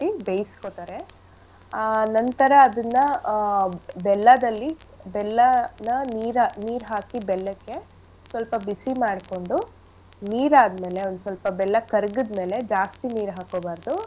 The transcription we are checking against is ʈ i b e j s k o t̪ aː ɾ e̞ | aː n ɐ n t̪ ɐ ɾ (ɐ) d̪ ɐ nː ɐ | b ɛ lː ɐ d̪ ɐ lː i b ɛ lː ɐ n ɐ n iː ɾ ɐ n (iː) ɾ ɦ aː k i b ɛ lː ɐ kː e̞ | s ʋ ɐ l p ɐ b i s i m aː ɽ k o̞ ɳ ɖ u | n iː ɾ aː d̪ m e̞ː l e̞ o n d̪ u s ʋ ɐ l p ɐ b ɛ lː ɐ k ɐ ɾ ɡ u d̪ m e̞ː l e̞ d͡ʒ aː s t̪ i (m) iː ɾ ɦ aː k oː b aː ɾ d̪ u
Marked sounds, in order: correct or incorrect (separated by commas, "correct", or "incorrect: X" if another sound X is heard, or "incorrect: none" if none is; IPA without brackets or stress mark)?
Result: incorrect: ɐː, correct, incorrect: n